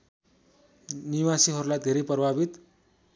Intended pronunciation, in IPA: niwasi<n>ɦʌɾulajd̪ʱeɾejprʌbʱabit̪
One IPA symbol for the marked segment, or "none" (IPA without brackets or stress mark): none